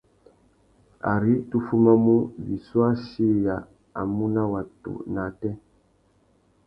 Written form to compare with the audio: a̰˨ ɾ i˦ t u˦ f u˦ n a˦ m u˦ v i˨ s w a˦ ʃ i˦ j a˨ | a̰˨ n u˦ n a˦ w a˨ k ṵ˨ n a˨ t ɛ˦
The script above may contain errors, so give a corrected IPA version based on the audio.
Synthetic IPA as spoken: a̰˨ ɾ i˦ t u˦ f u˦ m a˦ m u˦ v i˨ s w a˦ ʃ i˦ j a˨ | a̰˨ m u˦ n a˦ w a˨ t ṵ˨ n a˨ t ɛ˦